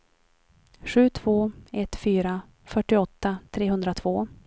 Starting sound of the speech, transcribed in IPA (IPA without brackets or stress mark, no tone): ɧ